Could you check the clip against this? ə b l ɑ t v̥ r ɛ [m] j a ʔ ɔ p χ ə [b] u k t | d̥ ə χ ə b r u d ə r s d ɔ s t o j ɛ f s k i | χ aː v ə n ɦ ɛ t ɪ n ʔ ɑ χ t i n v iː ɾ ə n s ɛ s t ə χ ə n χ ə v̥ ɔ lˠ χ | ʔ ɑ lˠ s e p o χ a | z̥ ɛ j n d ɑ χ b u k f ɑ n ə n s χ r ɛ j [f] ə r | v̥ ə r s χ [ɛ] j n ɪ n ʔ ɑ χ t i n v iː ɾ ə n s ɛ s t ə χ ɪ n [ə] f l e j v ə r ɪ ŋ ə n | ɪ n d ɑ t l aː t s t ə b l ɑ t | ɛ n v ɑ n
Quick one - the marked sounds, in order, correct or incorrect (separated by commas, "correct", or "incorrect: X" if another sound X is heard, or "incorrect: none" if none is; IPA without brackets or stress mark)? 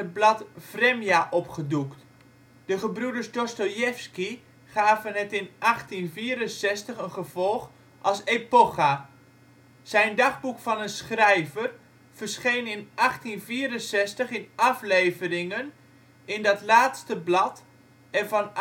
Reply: correct, incorrect: d, incorrect: v, incorrect: e, incorrect: ɑ